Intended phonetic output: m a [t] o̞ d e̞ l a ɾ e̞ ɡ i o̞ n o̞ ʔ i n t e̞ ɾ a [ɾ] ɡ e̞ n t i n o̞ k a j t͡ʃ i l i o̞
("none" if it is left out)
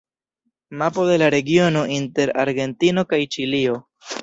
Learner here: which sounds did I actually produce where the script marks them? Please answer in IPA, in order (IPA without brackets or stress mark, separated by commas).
p, ɾ